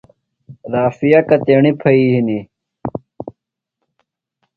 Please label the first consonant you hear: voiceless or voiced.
voiced